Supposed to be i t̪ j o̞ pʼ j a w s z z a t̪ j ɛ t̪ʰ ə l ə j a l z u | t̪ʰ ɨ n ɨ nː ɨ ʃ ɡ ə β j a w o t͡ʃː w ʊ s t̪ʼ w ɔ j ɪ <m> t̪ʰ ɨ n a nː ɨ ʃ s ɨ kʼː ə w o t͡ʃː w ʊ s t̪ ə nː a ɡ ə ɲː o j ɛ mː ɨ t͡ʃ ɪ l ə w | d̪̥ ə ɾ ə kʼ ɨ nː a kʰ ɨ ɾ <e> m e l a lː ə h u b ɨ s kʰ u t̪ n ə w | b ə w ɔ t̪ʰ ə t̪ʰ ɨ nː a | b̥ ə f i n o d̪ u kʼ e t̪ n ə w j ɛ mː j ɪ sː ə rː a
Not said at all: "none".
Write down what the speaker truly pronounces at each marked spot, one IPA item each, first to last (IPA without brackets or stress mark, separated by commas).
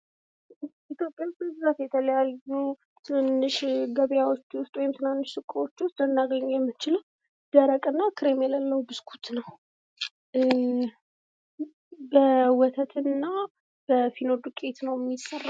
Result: m, e